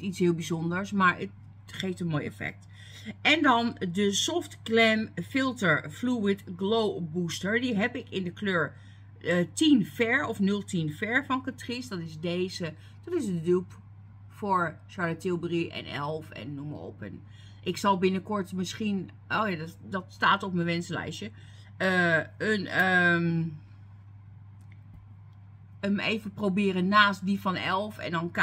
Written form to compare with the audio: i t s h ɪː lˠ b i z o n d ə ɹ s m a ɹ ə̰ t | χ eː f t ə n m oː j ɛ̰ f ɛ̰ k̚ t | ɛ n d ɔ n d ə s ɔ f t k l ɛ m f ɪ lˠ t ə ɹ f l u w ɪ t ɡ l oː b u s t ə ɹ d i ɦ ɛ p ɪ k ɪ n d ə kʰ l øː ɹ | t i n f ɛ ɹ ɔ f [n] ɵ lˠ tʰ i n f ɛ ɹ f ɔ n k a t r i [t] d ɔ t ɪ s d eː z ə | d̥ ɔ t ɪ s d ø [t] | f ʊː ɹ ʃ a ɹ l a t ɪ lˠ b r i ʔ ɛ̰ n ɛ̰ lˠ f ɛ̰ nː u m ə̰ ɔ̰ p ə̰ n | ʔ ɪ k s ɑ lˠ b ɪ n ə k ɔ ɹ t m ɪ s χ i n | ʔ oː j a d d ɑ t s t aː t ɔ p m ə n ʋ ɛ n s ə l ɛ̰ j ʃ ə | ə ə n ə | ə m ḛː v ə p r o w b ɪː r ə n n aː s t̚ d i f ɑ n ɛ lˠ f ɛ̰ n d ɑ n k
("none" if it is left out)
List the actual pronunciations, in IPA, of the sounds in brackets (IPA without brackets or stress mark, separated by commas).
n, s, p